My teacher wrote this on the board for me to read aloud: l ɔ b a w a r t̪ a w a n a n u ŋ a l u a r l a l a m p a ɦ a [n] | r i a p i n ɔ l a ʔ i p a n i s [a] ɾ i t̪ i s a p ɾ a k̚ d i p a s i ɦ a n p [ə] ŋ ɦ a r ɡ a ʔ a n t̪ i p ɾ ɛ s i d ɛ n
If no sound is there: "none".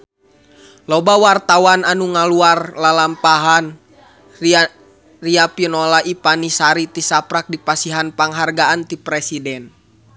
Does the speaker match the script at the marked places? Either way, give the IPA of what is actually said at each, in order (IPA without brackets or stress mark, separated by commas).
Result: n, a, a